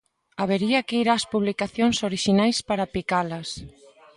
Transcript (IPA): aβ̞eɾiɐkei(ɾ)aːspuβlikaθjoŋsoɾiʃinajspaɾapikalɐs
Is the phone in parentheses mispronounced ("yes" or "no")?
no